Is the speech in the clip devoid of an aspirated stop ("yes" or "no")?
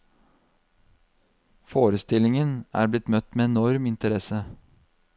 yes